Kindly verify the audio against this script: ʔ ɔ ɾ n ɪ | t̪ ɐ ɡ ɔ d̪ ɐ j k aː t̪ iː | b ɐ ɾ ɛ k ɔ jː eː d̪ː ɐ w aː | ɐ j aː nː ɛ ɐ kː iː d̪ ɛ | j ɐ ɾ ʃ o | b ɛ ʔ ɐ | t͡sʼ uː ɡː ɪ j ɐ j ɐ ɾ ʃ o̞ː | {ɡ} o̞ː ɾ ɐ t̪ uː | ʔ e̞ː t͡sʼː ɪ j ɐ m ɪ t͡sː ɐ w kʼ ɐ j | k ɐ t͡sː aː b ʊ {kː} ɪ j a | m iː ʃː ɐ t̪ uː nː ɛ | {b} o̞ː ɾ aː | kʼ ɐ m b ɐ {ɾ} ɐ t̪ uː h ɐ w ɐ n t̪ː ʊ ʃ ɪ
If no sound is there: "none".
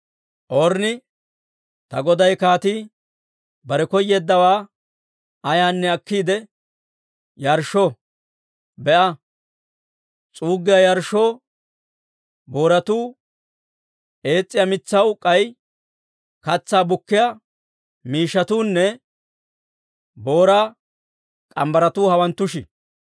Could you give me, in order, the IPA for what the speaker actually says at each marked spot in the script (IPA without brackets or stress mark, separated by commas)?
b, kː, b, ɾ